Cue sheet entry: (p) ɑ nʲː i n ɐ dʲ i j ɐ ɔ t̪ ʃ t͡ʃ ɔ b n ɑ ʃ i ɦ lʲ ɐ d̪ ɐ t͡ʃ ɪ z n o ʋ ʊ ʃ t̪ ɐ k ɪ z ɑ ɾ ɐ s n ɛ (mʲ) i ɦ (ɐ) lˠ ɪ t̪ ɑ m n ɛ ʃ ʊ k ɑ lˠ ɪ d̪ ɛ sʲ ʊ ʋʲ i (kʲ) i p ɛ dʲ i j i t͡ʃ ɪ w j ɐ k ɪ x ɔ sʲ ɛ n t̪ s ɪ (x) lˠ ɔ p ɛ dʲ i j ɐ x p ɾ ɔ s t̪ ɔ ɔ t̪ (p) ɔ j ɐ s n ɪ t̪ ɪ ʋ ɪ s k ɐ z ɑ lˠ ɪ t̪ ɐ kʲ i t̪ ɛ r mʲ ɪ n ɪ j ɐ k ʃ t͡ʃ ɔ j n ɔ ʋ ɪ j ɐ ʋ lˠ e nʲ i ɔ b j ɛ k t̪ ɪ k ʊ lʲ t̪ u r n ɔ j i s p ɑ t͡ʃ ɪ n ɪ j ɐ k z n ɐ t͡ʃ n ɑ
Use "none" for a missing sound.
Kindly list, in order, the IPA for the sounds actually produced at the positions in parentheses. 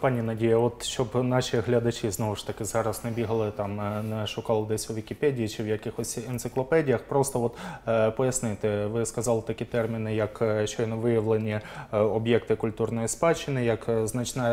p, bʲ, ɐ, kʲ, k, p

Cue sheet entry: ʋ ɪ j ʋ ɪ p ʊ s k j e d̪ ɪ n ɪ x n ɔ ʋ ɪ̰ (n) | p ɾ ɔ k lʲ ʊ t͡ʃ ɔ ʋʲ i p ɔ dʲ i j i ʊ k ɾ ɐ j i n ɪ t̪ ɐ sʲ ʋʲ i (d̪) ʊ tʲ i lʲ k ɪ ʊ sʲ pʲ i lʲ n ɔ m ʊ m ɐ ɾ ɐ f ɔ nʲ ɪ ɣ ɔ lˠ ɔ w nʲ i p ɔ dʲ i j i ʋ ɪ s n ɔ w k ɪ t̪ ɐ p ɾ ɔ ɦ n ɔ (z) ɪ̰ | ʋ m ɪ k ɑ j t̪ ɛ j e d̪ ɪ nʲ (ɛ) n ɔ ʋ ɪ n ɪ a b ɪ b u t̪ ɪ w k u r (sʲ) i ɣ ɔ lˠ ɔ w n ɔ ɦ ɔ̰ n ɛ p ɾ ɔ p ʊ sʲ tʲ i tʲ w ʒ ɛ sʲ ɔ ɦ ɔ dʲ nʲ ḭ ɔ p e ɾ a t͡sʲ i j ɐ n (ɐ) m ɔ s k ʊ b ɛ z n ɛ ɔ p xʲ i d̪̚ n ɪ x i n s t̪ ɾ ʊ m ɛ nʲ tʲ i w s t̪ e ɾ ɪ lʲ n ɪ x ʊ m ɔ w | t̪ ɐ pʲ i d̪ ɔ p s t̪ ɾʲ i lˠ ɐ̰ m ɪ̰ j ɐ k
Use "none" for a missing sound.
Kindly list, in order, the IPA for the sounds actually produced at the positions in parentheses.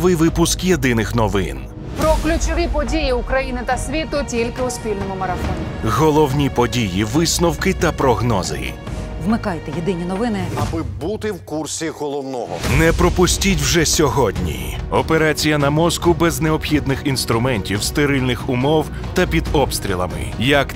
n, t̪, z, i, sʲ, ɐ

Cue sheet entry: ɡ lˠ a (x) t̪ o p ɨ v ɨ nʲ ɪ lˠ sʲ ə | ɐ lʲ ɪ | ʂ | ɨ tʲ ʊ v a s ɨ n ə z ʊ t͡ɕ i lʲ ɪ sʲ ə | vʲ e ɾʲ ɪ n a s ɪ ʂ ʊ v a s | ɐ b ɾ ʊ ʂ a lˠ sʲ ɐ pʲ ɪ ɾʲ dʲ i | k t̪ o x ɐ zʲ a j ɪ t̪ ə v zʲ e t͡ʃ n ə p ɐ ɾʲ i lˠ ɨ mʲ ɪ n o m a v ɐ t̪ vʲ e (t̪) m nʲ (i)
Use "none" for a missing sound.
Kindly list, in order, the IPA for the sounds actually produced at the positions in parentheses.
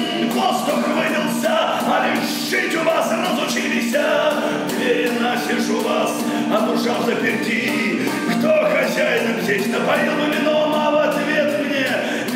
s, t̪, e

